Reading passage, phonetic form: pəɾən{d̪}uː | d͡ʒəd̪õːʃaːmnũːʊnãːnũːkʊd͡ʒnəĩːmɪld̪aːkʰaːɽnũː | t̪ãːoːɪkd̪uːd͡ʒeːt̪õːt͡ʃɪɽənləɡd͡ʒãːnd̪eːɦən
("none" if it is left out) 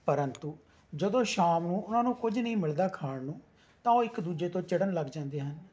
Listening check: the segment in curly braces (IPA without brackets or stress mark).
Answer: t̪